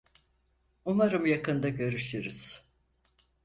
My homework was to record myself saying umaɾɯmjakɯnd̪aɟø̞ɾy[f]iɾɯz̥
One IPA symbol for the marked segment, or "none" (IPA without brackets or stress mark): ʃ